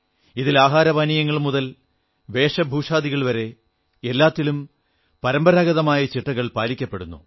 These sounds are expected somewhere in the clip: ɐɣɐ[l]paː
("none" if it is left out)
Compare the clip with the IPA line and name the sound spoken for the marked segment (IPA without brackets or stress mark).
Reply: ɭ